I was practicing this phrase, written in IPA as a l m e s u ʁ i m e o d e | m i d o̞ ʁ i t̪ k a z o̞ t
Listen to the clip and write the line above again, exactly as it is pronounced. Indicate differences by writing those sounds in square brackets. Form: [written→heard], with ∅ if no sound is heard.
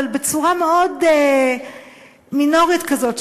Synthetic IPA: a l [m→b] e [s→t͡s] u ʁ [i→a] m e o d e | m i [d→n] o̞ ʁ i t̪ k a z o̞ t